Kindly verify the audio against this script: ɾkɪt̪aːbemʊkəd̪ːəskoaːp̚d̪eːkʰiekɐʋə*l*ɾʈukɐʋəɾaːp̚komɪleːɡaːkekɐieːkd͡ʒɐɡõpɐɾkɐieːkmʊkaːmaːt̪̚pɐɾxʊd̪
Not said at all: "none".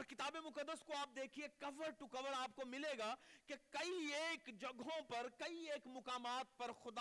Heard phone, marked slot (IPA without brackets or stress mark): none